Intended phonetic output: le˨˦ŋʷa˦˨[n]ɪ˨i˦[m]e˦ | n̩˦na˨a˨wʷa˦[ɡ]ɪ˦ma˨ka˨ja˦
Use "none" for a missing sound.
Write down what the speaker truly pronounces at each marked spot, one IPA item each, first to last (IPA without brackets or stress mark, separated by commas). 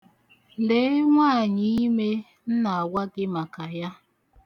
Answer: ɲ, m, ɡ